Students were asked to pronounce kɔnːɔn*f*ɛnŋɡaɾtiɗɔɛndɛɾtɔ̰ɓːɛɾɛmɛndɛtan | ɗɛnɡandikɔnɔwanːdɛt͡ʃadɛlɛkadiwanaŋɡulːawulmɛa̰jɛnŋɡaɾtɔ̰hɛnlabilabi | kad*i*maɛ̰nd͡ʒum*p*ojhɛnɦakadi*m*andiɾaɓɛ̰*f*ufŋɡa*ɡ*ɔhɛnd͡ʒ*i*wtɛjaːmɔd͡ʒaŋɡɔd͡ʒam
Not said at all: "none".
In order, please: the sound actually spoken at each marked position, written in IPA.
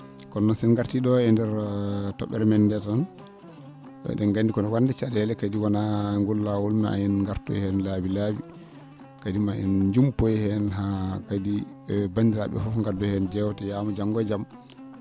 s, i, p, b, f, d, ɛ

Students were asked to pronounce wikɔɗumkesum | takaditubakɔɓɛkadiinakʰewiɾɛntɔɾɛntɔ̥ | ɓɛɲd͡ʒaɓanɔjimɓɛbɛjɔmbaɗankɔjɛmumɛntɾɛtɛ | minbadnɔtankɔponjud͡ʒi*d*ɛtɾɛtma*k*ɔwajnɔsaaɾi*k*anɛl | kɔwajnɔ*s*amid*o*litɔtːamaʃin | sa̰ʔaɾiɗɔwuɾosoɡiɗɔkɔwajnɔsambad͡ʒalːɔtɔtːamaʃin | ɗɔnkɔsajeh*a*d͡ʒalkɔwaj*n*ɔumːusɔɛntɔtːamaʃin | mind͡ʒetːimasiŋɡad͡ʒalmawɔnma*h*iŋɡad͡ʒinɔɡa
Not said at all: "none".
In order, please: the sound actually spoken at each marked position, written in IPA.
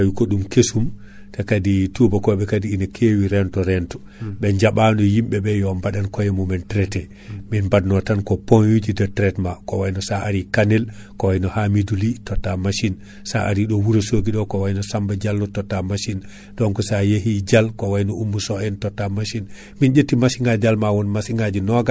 d, k, k, h, u, i, n, s

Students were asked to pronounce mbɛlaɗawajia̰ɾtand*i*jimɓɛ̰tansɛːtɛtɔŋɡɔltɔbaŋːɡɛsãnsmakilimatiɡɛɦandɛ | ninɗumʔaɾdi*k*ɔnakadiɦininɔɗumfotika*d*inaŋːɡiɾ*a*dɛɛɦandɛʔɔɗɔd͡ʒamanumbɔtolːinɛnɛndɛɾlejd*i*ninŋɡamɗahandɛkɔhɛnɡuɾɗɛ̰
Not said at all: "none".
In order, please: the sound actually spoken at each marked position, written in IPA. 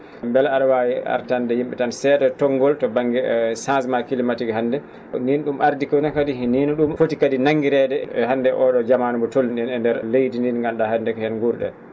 ɛ, k, d, ɛ, i

